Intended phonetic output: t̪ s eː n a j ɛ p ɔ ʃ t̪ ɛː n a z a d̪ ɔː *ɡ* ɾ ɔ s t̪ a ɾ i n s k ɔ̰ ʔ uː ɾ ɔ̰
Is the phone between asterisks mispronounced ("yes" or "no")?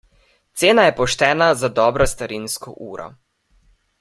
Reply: yes